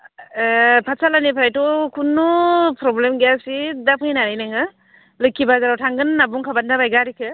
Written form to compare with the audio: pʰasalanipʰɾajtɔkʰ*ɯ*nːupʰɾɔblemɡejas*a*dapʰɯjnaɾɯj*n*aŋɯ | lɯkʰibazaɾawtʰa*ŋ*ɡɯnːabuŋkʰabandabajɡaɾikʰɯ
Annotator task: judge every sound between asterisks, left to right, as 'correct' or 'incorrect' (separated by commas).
incorrect, incorrect, correct, correct